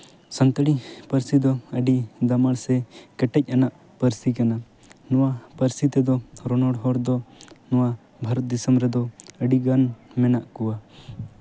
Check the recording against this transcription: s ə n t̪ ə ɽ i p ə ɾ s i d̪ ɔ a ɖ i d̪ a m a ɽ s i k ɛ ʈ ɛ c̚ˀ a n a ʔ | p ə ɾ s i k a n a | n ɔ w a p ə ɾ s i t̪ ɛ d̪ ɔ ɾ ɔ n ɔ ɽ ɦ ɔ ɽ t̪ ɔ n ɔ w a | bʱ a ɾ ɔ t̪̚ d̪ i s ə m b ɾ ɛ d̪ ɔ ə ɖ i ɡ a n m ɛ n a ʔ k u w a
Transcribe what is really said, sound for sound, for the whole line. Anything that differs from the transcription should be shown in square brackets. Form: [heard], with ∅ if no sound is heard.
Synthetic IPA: s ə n t̪ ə ɽ i p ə ɾ s i d̪ ɔ [ə] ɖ i d̪ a m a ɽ s [ɛ] k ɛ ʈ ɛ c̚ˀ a n a ʔ | p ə ɾ s i k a n a | n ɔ w a p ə ɾ s i t̪ ɛ d̪ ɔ ɾ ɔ n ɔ ɽ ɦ ɔ ɽ [d̪] ɔ n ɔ w a | bʱ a ɾ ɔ t̪̚ d̪ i s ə m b ɾ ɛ d̪ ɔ ə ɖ i ɡ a n m ɛ n a ʔ k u w a